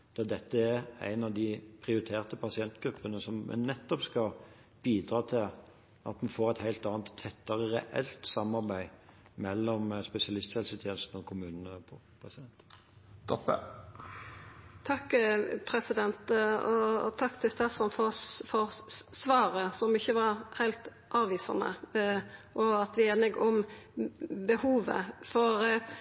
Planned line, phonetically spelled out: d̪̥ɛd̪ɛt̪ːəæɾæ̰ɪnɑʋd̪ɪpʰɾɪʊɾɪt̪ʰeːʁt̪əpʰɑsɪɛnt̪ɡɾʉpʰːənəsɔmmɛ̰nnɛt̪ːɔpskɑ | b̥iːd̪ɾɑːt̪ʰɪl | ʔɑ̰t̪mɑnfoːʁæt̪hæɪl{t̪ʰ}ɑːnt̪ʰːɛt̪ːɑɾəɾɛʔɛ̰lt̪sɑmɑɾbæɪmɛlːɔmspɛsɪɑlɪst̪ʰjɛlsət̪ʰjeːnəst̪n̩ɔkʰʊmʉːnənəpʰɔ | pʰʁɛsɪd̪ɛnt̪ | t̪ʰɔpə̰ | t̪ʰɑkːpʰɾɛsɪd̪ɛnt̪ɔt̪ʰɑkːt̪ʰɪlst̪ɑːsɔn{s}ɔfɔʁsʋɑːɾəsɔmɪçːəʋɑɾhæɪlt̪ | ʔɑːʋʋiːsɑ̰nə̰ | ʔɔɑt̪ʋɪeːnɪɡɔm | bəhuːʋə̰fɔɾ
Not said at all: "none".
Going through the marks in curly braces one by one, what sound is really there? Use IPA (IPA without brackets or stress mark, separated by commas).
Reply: t̪, f